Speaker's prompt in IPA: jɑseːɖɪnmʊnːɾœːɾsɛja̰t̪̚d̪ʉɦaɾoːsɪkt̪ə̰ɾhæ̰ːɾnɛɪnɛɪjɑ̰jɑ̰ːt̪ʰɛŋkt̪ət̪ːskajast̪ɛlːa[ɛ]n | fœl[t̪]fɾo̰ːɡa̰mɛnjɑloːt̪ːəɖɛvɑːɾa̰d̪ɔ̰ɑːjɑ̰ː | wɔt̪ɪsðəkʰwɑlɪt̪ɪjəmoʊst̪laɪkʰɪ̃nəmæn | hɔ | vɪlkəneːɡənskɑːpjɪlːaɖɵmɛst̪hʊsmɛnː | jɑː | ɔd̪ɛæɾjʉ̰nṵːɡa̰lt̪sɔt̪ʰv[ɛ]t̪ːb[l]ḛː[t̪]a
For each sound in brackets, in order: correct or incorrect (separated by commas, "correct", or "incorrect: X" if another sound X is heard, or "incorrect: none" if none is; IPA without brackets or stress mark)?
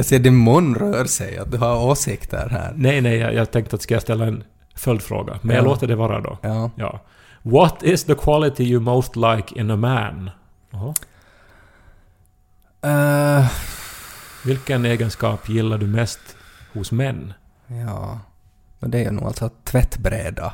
correct, incorrect: d̪, correct, incorrect: ɾ, incorrect: d̪